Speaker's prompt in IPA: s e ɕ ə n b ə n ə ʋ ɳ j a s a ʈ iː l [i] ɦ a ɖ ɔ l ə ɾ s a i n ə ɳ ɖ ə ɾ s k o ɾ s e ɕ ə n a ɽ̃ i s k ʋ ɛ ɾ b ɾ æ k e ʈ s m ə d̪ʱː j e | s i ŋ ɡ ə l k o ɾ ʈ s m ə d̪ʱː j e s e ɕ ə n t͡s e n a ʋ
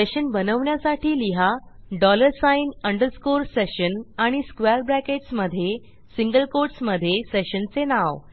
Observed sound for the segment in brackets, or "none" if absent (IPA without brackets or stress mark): i